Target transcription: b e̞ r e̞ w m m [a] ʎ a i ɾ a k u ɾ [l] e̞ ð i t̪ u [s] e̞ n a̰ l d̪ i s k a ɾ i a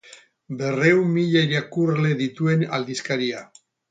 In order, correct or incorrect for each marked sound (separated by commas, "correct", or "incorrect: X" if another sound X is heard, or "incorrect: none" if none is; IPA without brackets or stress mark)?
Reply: incorrect: i, correct, incorrect: none